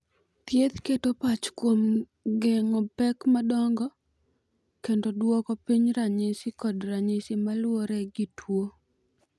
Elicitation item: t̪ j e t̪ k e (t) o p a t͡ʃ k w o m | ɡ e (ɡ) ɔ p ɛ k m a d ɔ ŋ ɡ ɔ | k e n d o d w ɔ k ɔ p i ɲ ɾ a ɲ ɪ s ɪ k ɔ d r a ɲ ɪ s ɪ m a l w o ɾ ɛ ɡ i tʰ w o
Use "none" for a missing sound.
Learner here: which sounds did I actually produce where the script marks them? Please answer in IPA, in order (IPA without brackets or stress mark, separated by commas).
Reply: t, ŋ